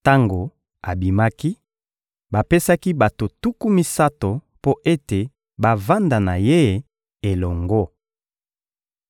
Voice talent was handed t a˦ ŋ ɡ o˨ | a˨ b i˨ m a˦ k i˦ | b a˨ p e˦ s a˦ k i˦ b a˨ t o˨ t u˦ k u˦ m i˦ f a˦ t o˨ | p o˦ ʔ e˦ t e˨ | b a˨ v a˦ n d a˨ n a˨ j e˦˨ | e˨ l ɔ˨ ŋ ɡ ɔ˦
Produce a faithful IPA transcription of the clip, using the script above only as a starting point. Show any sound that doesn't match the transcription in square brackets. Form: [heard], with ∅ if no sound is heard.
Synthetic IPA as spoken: t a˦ ŋ ɡ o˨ | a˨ b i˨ m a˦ k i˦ | b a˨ p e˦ s a˦ k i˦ b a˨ t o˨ t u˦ k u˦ m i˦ [s] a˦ t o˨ | p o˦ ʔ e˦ t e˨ | b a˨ v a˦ n d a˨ n a˨ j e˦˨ | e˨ l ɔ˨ ŋ ɡ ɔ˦